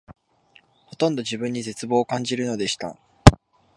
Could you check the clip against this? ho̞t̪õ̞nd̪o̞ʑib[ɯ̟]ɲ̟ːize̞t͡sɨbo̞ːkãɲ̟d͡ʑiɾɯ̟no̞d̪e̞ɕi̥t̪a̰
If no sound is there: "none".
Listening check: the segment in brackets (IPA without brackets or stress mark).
ɯ̟̃